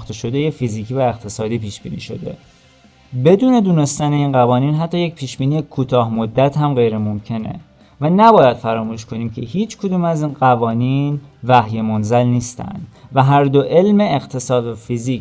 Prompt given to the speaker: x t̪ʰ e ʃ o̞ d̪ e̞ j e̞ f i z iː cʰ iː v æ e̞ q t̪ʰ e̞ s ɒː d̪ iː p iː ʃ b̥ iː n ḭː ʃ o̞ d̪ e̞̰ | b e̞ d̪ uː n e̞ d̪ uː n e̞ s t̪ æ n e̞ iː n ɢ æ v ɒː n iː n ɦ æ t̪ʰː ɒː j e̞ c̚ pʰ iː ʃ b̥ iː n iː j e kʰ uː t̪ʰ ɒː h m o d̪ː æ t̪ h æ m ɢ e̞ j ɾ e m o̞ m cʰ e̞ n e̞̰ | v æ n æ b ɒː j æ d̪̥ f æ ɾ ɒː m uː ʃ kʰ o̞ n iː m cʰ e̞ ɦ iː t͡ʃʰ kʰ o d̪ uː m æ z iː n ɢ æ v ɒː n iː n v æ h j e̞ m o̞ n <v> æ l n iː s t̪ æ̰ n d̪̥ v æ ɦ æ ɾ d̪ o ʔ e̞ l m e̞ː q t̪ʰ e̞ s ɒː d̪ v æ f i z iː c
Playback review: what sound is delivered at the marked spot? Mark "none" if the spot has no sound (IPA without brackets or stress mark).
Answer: z